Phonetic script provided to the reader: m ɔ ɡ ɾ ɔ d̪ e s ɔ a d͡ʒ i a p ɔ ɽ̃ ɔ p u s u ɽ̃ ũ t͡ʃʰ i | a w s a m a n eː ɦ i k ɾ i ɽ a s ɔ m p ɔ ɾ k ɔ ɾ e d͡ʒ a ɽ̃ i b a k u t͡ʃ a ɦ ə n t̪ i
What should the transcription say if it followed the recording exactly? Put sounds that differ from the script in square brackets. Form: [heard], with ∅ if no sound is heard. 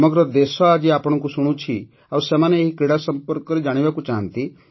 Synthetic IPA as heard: m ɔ ɡ ɾ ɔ d̪ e s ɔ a d͡ʒ i a p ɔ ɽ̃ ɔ [k] u s u ɽ̃ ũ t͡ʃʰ i | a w s [e] m a n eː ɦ i k ɾ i ɽ a s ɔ m p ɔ ɾ k ɔ ɾ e d͡ʒ a ɽ̃ i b a k u t͡ʃ a ɦ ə n t̪ i